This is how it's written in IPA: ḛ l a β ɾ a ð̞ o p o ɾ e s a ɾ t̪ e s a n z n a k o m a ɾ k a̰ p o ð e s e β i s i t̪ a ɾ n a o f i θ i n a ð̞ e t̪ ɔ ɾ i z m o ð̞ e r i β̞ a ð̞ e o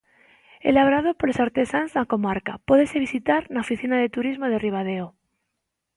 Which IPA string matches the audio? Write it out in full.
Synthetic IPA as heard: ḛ l a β ɾ a ð̞ o p o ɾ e s a ɾ t̪ e s a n z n a k o m a ɾ k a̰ p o ð e s e β i s i t̪ a ɾ n a o f i θ i n a ð̞ e t̪ u ɾ i z m o ð̞ e r i β̞ a ð̞ e o